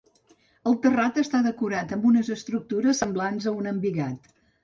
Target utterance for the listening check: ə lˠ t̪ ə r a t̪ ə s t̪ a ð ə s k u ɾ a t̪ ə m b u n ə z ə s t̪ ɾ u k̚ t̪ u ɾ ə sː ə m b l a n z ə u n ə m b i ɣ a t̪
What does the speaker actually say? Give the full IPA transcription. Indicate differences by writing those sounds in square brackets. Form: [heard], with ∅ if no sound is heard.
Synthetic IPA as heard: ə lˠ t̪ ə r a t̪ ə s t̪ a ð ə [∅] k u ɾ a t̪ ə m b u n ə z ə s t̪ ɾ u k̚ t̪ u ɾ ə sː ə m b l a n z ə u n ə m b i ɣ a t̪